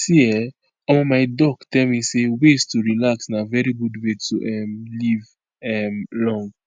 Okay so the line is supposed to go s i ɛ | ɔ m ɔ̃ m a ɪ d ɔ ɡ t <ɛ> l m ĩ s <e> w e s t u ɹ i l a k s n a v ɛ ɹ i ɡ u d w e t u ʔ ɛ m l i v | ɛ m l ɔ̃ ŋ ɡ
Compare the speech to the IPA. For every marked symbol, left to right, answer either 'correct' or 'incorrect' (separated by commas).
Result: correct, correct